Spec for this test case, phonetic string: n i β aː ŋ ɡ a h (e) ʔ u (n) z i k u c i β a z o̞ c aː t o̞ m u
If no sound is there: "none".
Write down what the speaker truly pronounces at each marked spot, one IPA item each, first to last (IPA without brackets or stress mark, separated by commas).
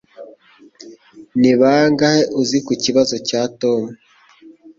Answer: e, none